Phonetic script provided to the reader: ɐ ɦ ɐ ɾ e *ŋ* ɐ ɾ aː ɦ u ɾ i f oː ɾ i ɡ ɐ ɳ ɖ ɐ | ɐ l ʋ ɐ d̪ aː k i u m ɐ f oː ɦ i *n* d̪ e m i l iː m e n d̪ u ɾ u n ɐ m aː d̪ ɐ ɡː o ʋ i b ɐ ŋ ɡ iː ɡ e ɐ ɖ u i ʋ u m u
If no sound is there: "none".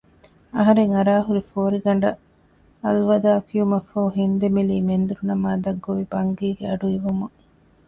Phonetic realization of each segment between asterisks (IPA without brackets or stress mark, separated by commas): ŋ, n